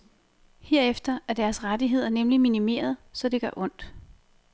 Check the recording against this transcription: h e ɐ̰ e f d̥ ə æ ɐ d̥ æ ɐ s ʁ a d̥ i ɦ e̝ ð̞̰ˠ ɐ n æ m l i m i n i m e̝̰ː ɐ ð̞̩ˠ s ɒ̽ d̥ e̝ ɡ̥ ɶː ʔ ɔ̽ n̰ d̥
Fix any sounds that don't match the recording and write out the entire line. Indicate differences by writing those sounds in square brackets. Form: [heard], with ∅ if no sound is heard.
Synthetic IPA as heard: h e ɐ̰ e f d̥ [ɐ] æ ɐ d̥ æ ɐ s ʁ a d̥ i ɦ e̝ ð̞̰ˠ ɐ n [e] m l i m i n i m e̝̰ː ɐ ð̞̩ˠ s ɒ̽ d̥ e̝ ɡ̥ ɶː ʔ ɔ̽ n̰ d̥